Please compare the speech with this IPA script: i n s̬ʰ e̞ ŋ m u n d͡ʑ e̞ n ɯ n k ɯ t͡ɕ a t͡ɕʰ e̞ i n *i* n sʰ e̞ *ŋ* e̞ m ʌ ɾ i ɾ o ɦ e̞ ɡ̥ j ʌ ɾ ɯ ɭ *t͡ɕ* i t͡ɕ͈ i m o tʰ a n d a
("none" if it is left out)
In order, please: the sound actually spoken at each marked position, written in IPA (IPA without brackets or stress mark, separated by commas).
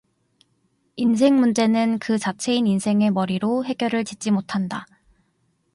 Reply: i, ŋ, t͡ɕ